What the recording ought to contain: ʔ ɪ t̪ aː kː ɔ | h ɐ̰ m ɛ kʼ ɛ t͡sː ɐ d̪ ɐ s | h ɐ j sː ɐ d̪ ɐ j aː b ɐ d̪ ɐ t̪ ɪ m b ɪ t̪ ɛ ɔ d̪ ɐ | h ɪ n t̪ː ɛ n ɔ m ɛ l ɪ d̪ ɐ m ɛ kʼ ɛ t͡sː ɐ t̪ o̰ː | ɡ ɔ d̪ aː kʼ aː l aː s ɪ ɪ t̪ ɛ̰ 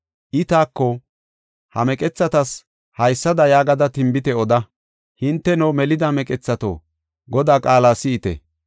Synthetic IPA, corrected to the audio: ʔ ɪ t̪ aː kː ɔ | h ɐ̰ m ɛ kʼ ɛ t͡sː ɐ t̪ ɐ s | h ɐ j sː ɐ d̪ ɐ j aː ɡ ɐ d̪ ɐ t̪ ɪ m b ɪ t̪ ɛ ɔ d̪ ɐ | h ɪ n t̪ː ɛ n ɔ m ɛ l ɪ d̪ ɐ m ɛ kʼ ɛ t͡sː ɐ t̪ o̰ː | ɡ ɔ d̪ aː kʼ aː l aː s ɪ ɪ t̪ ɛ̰